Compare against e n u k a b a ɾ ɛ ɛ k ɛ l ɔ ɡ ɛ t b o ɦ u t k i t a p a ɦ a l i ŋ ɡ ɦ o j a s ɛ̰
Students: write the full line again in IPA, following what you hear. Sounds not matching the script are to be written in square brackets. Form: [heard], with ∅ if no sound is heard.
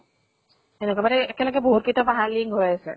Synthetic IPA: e n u k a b a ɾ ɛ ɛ k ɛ l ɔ ɡ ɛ [∅] b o ɦ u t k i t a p a ɦ a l i ŋ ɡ ɦ o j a s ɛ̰